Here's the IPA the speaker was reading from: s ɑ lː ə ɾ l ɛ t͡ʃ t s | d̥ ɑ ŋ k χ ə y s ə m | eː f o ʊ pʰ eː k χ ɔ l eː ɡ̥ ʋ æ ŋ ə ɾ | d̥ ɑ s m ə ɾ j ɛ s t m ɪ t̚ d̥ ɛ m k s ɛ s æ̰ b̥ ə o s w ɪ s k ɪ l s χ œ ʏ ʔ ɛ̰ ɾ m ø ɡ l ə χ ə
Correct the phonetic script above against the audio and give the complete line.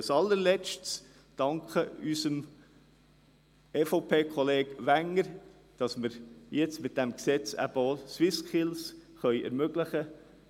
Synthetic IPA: s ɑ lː ə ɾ l ɛ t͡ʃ t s | d̥ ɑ ŋ k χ ə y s ə m | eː f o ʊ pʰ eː k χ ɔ l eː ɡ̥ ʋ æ ŋ ə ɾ | d̥ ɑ s m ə ɾ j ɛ t͡s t m ɪ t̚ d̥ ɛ m k s ɛ t͡s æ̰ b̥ ə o s w ɪ s k ɪ l s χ œ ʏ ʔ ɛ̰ ɾ m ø ɡ l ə χ ə